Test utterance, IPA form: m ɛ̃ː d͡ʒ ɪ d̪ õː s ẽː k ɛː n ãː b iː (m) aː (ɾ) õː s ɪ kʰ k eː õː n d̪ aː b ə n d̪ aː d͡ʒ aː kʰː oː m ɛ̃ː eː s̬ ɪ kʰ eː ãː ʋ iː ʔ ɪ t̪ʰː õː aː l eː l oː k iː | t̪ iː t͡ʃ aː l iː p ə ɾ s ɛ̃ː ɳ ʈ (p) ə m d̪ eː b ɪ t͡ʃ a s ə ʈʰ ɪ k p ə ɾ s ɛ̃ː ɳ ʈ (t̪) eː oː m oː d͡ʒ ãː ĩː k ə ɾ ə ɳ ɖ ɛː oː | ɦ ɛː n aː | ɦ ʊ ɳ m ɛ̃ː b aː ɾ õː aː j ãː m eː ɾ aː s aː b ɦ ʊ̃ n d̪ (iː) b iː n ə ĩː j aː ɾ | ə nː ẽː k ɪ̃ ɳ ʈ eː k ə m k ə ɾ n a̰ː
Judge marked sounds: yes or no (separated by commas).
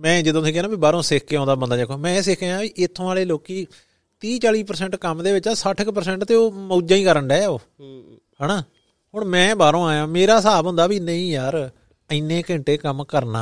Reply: no, yes, no, yes, no